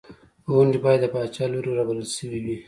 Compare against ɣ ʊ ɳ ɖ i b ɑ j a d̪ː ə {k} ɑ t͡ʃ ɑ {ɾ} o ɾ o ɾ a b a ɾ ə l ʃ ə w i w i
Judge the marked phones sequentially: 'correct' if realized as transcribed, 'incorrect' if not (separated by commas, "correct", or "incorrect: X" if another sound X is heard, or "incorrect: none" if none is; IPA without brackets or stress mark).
incorrect: p, incorrect: l